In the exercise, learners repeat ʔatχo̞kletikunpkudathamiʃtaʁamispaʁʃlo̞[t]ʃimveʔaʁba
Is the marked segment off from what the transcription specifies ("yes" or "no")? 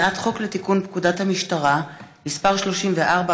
yes